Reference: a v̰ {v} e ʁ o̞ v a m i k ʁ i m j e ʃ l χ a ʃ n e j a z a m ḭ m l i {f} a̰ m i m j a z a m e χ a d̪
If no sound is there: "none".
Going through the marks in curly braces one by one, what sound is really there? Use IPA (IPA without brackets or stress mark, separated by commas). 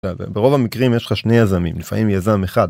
b, f